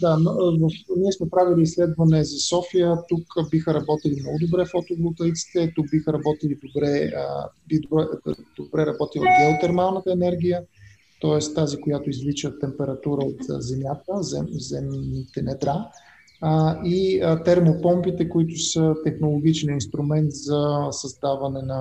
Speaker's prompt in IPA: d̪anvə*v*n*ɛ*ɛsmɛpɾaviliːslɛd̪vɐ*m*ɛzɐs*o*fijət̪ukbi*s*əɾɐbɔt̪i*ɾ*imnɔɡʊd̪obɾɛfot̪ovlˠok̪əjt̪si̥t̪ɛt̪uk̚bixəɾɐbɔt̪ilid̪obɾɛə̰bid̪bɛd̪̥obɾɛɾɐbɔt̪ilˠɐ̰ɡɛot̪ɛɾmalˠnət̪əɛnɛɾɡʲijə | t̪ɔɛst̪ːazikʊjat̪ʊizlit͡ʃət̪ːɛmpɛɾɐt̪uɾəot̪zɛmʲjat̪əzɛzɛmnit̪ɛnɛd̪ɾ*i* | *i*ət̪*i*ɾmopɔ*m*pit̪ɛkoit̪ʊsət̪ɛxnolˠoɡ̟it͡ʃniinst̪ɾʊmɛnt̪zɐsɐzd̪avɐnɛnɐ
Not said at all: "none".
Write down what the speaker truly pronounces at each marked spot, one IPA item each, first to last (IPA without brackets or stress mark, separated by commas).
f, i, n, ɔ, x, l, a, i, ɛ, m